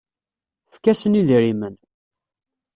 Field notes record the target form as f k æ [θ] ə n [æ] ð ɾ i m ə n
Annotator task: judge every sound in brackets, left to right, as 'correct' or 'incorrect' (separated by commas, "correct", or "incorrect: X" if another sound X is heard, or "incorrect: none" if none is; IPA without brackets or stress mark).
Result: incorrect: s, incorrect: i